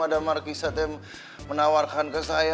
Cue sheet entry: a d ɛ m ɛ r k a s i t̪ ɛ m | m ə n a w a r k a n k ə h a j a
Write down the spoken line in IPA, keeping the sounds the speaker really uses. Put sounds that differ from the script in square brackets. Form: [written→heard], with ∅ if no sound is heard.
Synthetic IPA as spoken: a d [ɛ→a] m [ɛ→a] r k [a→i] s [i→a] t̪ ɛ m | m ə n a w a r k a n k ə [h→s] a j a